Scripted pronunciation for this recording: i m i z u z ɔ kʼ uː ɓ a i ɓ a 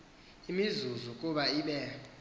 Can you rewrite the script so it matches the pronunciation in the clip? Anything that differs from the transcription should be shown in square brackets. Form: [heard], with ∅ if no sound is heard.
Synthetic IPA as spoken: i m i z u z [u] kʼ [u] ɓ a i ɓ [ɛ]